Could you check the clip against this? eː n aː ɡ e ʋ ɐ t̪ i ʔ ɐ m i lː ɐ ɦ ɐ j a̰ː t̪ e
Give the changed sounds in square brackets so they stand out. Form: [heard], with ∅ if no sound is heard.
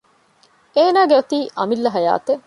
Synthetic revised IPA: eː n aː ɡ e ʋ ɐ t̪ [iː] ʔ ɐ m i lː ɐ ɦ ɐ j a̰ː t̪ e